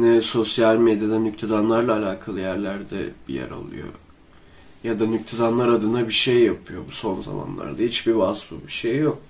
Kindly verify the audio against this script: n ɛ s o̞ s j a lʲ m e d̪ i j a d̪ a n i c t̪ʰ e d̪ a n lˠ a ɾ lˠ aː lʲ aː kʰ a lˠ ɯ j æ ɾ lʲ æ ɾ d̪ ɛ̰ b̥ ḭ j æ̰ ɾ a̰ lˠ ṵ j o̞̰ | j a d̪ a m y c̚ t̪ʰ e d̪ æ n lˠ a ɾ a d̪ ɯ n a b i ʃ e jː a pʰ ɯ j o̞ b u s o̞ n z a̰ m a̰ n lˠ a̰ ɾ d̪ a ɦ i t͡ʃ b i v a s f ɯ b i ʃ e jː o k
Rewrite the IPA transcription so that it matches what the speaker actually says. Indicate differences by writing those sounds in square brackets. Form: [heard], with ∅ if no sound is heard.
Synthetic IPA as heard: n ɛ s o̞ s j a lʲ m e d̪ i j a d̪ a n [y] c t̪ʰ e d̪ a n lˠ a ɾ lˠ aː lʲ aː kʰ a lˠ ɯ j æ ɾ lʲ æ ɾ d̪ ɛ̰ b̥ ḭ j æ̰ ɾ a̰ lˠ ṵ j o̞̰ | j a d̪ a [n] y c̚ t̪ʰ e d̪ [a] n lˠ a ɾ a d̪ ɯ n a b i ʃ e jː a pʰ ɯ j o̞ b u s o̞ n z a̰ m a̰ n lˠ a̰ ɾ d̪ a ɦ i t͡ʃ b i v a s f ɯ b i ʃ e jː o k